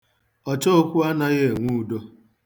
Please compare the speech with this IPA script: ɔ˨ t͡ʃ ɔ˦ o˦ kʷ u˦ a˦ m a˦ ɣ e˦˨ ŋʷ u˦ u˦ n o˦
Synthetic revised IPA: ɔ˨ t͡ʃ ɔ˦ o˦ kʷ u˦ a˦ n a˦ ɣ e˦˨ ŋʷ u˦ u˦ d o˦